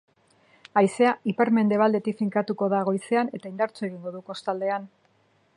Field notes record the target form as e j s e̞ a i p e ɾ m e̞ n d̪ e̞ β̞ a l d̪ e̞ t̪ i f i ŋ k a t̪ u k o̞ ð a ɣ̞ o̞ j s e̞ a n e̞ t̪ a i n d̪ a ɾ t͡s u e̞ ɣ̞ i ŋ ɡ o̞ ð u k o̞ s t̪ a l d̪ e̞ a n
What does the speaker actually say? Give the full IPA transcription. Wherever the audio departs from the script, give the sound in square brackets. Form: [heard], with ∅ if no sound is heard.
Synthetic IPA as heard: [a] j s e̞ a i p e ɾ m e̞ n d̪ e̞ β̞ a l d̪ e̞ t̪ i f i ŋ k a t̪ u k o̞ ð a ɣ̞ o̞ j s e̞ a n e̞ t̪ a i n d̪ a ɾ t͡s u e̞ ɣ̞ i ŋ ɡ o̞ ð u k o̞ s t̪ a l d̪ e̞ a n